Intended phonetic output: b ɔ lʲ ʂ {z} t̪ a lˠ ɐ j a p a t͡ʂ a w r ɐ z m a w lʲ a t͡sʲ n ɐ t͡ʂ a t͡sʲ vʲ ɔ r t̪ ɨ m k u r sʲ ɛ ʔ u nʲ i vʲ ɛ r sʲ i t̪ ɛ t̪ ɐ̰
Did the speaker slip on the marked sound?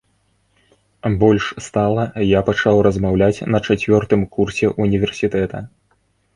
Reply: yes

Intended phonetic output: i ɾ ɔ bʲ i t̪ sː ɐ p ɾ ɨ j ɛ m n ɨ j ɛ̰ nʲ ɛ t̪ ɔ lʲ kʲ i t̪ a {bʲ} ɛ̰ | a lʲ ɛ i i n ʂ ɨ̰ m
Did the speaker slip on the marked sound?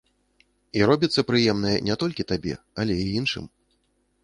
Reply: no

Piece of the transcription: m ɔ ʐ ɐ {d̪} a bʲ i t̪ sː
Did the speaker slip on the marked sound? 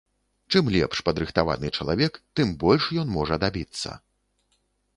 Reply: no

